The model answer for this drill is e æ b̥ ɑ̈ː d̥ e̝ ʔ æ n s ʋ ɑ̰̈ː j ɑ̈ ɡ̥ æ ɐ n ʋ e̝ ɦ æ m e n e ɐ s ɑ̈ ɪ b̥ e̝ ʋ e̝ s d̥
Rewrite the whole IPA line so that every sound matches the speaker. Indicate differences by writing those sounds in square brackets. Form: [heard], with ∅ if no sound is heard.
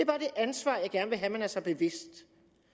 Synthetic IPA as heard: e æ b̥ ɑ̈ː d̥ e̝ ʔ æ n s ʋ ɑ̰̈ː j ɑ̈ ɡ̥ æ ɐ n ʋ e̝ ɦ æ m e n [æ] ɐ s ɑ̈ ɪ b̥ e̝ ʋ e̝ s d̥